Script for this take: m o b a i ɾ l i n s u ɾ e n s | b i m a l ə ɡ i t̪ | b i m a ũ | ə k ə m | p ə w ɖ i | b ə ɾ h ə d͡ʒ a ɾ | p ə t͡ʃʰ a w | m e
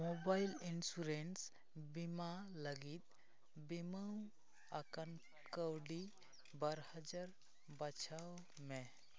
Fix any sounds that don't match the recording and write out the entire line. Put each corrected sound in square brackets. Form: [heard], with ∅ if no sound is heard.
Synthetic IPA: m o b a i [∅] l i n s u ɾ e n s | b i m a l ə ɡ i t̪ | b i m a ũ | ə k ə [n] | [k] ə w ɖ i | b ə ɾ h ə d͡ʒ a ɾ | [b] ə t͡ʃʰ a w | m e